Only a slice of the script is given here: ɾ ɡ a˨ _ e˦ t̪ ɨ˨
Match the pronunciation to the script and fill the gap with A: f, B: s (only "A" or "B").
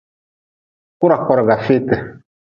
A